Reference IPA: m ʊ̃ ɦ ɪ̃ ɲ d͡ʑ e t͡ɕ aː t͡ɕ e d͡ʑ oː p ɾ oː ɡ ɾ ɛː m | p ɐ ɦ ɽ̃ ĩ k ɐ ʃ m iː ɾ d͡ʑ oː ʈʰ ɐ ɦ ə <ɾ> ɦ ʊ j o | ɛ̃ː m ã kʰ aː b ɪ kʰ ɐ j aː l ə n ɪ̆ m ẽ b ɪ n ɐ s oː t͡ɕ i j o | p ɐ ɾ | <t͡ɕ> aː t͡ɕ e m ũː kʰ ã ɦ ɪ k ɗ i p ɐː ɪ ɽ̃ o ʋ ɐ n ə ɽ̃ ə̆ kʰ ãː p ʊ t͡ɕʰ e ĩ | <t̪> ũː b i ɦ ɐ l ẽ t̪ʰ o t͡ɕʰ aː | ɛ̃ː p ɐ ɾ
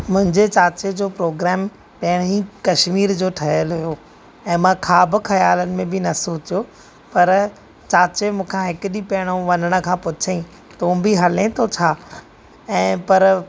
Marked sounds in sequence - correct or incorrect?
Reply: incorrect: l, correct, correct

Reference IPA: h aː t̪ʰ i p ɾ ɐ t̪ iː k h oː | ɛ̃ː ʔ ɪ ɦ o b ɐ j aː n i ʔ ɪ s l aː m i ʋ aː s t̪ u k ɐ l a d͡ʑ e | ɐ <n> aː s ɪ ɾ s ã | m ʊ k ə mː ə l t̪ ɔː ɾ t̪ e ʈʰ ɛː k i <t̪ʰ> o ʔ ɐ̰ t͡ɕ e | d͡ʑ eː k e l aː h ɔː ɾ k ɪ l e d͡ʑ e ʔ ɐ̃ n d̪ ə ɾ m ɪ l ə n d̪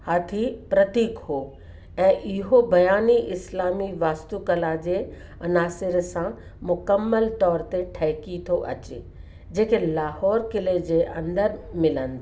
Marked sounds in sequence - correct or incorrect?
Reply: correct, correct

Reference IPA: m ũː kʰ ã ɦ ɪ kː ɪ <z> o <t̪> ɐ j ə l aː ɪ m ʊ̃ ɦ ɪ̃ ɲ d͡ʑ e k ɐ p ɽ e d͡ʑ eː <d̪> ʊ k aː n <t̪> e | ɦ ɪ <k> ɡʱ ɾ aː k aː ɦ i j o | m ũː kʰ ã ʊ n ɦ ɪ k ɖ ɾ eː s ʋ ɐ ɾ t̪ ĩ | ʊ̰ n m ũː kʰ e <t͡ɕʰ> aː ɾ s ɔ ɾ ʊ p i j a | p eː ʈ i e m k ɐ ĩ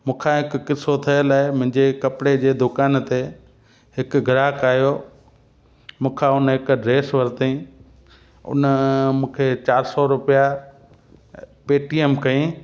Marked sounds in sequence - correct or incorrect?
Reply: incorrect: s, incorrect: t̪ʰ, correct, correct, correct, incorrect: t͡ɕ

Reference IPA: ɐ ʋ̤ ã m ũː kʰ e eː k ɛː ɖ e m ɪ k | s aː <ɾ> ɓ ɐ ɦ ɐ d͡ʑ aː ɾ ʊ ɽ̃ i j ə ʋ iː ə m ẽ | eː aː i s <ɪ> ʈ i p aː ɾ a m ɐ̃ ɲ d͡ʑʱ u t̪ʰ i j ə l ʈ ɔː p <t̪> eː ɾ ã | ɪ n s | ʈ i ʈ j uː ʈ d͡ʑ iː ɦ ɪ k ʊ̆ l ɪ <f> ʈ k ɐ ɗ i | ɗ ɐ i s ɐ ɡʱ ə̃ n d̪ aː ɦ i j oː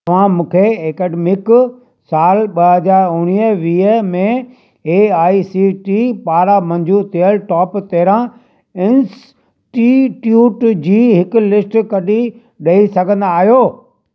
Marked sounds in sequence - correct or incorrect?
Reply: incorrect: l, incorrect: i, correct, incorrect: s

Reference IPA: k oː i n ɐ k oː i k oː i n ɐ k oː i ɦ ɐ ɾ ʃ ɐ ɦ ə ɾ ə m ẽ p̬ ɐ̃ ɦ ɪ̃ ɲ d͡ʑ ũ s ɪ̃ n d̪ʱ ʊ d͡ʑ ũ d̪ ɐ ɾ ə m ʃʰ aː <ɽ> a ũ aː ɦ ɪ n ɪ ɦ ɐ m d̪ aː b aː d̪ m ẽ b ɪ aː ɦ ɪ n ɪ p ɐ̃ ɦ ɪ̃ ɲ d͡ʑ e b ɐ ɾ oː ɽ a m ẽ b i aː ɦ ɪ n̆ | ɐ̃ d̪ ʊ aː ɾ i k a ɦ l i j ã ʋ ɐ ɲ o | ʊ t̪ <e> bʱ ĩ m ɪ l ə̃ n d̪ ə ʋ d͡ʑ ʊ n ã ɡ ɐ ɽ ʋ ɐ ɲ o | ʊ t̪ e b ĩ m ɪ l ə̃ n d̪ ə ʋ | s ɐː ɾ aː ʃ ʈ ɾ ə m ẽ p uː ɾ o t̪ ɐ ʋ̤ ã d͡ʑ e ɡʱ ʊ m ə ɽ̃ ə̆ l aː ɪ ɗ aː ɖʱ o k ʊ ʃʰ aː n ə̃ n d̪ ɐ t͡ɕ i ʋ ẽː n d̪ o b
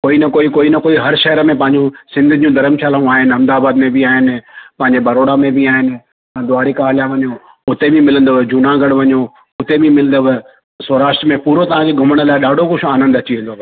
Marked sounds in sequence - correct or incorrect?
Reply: incorrect: l, correct

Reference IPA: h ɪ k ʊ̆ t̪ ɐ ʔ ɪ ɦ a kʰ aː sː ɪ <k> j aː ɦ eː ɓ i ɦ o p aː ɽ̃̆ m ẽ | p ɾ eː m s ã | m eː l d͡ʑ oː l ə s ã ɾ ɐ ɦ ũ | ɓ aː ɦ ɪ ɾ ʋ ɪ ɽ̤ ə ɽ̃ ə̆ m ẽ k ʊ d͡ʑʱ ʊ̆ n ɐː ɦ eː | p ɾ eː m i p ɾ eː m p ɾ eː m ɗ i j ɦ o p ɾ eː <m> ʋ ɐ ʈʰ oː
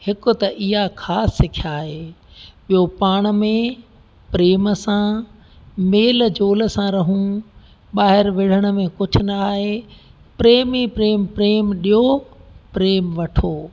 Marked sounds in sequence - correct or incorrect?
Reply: incorrect: kʰ, correct

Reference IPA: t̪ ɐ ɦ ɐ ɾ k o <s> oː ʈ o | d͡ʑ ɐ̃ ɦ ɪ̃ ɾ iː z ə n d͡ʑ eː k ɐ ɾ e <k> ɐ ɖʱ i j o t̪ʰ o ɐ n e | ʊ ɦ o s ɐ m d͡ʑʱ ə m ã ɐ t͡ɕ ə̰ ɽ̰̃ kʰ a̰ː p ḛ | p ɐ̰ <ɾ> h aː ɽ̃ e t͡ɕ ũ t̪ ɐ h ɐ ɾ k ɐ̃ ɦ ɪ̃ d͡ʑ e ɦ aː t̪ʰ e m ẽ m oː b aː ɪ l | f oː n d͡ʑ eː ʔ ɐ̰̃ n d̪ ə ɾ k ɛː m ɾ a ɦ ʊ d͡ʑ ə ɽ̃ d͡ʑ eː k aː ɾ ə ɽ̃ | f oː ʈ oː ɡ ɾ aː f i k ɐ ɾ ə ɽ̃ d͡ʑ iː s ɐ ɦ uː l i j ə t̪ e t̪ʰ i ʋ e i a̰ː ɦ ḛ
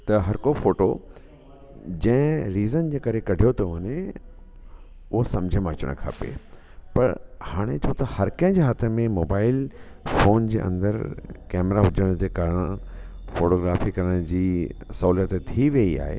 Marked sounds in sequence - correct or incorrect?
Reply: incorrect: f, correct, correct

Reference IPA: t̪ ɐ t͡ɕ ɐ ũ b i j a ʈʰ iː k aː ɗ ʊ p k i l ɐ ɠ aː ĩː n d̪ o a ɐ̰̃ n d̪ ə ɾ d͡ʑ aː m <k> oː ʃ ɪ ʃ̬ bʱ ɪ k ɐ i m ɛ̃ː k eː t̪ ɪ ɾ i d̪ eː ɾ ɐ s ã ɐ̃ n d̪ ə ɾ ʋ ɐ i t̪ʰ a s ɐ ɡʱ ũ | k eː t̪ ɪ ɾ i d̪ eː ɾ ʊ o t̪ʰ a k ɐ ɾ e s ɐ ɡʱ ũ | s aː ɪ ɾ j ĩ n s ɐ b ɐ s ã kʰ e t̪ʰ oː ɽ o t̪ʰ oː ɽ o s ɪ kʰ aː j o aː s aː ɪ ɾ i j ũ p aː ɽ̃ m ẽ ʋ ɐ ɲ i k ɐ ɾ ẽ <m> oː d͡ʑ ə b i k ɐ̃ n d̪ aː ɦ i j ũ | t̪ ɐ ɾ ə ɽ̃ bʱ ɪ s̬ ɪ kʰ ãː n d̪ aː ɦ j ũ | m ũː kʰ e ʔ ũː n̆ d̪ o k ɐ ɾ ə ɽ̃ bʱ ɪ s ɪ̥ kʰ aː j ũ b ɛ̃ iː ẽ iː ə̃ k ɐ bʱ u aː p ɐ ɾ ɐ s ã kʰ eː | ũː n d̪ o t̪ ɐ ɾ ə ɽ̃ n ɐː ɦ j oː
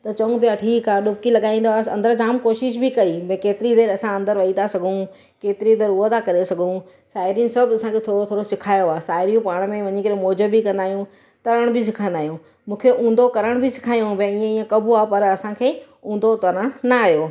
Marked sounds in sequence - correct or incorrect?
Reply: correct, correct

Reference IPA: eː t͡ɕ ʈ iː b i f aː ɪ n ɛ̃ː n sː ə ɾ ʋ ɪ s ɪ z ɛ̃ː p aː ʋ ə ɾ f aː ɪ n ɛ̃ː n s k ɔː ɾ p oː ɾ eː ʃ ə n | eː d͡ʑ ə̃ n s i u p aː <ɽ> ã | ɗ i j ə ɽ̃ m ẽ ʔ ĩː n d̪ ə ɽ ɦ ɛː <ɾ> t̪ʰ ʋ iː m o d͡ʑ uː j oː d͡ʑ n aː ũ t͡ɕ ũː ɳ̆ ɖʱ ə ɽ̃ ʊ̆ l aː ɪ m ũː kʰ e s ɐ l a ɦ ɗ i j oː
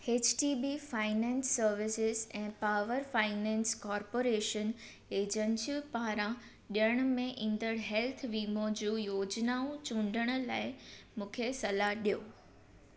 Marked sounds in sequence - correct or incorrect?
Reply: incorrect: ɾ, incorrect: l

